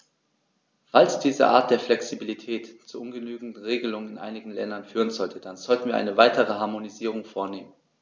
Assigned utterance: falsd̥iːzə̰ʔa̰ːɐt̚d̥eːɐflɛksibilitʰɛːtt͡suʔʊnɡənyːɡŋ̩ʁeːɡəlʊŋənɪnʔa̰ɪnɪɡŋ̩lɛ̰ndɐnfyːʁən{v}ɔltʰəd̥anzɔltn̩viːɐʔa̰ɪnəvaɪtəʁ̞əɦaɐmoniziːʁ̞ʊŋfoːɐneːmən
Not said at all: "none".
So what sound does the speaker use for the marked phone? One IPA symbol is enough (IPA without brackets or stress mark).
z